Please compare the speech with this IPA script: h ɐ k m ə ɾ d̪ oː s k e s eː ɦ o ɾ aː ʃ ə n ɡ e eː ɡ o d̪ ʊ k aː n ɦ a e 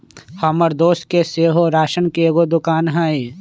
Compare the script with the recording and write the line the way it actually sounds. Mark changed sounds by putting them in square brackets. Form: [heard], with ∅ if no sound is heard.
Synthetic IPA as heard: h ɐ [∅] m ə ɾ d̪ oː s k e s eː ɦ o ɾ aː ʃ ə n [k] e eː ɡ o d̪ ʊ k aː n ɦ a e